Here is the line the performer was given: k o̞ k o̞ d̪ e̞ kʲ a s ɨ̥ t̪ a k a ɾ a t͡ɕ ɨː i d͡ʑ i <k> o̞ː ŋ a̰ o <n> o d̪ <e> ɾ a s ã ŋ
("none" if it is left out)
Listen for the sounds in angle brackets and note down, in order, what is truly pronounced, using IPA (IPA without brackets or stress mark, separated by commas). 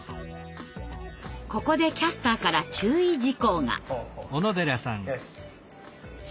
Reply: k, n, e